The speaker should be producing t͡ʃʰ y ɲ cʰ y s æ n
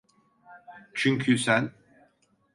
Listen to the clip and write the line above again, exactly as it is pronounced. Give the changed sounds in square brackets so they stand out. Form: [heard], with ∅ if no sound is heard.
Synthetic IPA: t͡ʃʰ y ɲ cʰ y s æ n